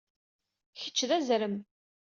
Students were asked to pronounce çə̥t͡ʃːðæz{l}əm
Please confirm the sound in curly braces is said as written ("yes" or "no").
no